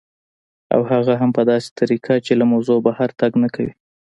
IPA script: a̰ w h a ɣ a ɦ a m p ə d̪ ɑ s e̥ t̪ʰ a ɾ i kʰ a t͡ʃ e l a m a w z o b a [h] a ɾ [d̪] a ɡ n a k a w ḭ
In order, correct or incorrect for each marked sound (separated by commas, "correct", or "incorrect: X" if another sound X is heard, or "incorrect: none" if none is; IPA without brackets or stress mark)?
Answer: correct, incorrect: t̪